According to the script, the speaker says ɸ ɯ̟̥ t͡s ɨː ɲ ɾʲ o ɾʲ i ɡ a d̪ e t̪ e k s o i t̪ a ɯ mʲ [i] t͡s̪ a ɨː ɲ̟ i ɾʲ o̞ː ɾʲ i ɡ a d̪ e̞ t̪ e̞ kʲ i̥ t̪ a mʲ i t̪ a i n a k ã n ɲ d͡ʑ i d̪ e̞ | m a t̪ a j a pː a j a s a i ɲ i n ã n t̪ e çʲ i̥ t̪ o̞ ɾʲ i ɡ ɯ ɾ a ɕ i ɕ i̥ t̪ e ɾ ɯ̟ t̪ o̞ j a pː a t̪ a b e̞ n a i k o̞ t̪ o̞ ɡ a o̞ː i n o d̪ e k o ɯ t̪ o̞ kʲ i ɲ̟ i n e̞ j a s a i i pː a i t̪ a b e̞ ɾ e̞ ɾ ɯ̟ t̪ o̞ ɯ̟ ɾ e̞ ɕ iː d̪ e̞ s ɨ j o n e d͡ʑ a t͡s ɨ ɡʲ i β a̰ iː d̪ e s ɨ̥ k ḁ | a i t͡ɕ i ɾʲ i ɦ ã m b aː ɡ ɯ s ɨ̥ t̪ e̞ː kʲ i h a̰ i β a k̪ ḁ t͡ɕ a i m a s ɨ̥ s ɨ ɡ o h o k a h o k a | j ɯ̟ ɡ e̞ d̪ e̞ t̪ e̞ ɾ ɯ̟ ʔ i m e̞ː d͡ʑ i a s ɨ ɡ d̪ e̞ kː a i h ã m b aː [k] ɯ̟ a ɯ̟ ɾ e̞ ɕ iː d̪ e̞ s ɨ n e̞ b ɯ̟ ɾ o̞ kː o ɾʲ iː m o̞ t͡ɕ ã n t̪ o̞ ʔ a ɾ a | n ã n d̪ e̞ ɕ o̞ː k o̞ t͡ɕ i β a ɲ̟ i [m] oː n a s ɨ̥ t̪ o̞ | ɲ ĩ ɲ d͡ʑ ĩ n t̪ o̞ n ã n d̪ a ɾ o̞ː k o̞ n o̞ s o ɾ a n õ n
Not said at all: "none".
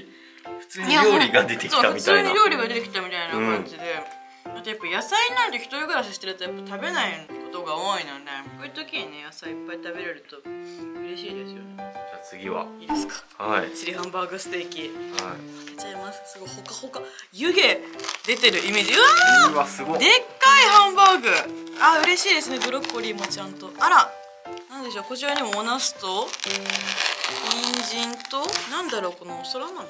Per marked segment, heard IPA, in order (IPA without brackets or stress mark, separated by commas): i, ɡ, m